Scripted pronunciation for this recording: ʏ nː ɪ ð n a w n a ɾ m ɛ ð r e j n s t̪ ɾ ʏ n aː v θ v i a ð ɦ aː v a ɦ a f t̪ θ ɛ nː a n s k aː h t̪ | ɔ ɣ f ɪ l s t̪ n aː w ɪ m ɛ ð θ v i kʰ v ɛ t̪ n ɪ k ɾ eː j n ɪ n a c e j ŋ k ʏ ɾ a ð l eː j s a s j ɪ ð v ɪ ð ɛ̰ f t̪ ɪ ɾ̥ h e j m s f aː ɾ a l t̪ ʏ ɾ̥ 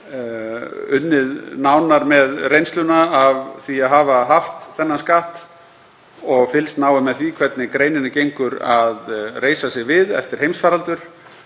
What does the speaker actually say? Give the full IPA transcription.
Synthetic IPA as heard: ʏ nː ɪ ð n a w n a ɾ m ɛ ð r e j n s t̪ l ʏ n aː v θ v i a ð ɦ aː v a ɦ a f t̪ θ ɛ nː a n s k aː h t̪ | ɔ ɣ f ɪ l s t̪ n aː w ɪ m ɛ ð θ v i kʰ v ɛ t̪ n ɪ k ɾ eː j n ɪ n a c e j ŋ k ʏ ɾ a ð r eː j s a s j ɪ ɣ v ɪ ð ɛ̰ f t̪ ɪ ɾ̥ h e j m s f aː ɾ a l t̪ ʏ ɾ̥